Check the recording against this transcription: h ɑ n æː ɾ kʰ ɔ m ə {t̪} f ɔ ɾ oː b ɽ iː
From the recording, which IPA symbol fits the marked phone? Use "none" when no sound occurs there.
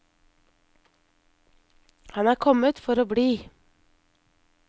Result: t̪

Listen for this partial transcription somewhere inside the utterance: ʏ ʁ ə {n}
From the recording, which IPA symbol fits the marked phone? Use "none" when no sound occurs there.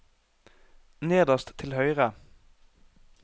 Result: none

